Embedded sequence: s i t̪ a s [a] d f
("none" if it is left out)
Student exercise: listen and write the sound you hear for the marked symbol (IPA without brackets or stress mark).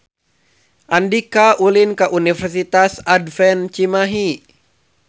a